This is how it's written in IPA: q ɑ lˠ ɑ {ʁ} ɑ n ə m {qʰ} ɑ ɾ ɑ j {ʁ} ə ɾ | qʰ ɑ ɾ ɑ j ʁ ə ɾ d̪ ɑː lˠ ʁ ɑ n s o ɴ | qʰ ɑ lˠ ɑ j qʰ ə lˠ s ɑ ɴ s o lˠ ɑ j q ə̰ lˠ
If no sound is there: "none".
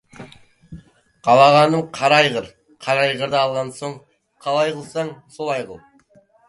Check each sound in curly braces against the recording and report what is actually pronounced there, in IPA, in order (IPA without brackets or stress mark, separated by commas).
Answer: ʁ, qʰ, ʁ